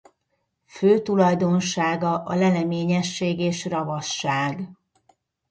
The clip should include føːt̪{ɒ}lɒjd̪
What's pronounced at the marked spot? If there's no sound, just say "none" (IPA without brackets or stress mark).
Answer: u